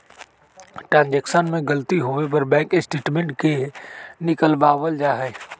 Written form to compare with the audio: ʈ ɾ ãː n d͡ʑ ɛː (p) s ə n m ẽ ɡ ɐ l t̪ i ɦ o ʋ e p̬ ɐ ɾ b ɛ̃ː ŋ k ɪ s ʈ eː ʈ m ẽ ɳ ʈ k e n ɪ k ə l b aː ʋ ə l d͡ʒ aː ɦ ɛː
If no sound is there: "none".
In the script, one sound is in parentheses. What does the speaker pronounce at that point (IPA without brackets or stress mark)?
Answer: k